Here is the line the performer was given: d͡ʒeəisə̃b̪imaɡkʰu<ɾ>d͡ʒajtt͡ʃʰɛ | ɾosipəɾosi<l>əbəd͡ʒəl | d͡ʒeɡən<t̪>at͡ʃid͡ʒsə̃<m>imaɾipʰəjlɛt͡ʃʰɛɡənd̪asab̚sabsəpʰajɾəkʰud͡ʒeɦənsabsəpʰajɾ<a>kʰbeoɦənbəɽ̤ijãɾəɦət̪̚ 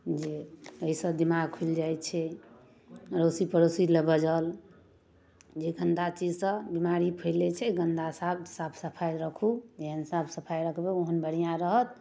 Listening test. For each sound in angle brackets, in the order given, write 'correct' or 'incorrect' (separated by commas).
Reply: incorrect, correct, incorrect, incorrect, incorrect